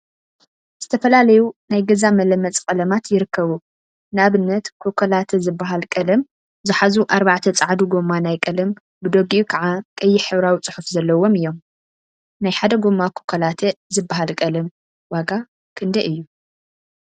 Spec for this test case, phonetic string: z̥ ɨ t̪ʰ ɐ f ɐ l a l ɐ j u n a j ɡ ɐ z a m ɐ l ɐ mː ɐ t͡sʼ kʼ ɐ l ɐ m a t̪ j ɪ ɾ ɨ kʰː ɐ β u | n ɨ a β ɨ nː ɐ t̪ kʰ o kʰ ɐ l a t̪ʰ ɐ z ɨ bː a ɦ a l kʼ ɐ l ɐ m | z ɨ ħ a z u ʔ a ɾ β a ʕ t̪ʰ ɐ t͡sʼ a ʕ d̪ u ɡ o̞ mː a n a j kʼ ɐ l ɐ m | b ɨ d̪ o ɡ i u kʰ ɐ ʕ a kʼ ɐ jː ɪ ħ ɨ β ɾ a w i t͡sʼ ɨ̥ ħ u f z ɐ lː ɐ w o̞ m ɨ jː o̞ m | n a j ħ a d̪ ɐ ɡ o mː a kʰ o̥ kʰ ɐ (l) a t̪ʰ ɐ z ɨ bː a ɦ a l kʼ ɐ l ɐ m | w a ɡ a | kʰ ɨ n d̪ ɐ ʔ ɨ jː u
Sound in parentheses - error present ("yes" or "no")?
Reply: no